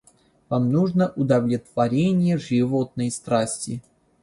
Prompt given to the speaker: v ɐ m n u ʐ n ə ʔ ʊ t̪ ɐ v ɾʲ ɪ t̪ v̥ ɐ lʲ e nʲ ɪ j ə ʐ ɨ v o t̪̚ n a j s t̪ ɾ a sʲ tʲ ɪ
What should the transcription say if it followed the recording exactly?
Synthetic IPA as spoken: v a m n u ʐ n ə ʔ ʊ d̪ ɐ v lʲ ɪ t̪ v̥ ɐ ɾʲ e nʲ ɪ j ə ʐ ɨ v o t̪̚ n ə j s t̪ ɾ a sʲ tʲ ɪ